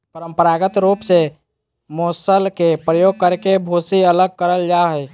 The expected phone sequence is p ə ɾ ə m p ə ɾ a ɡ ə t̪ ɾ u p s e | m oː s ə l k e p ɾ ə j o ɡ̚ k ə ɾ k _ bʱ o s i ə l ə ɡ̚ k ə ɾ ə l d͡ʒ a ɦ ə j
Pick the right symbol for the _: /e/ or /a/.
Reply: e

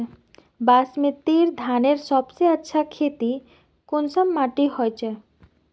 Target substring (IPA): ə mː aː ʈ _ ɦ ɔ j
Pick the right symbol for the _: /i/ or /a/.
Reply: i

